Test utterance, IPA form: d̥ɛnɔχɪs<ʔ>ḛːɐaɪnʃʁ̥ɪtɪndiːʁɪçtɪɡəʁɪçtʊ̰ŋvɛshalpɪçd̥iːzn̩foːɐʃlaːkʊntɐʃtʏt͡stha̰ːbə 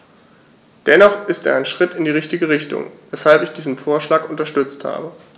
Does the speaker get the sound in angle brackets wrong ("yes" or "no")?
yes